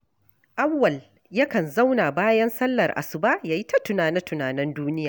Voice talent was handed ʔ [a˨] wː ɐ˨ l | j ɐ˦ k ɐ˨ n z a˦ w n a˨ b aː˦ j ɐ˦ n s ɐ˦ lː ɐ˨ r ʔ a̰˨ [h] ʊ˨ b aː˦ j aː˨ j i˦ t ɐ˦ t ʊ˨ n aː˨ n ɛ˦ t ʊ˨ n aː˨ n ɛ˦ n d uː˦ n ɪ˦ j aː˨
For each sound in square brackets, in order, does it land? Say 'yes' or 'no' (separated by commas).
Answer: no, no